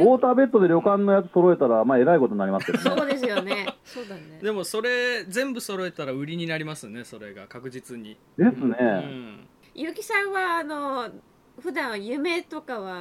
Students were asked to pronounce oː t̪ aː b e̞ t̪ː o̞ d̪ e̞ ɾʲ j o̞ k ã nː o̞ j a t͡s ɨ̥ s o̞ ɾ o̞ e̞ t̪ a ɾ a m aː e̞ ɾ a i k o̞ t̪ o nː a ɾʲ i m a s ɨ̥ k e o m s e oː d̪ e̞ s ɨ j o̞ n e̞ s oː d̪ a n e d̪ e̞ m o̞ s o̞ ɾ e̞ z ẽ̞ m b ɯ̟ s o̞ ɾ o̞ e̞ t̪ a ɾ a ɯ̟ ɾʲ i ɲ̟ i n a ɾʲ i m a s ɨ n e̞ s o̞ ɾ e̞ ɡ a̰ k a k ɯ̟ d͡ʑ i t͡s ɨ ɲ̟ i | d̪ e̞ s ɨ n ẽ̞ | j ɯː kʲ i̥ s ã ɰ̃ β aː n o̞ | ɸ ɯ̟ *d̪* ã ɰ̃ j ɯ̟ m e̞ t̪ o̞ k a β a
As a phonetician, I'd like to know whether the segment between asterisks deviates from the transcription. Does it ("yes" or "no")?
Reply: no